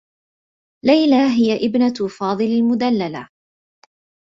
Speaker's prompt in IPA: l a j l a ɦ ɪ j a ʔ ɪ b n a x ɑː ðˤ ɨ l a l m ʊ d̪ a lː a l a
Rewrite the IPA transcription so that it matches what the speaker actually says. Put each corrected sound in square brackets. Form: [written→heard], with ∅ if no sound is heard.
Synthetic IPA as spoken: l a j l a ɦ ɪ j a ʔ ɪ b n a [x→f] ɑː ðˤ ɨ l a l m ʊ d̪ a lː a l a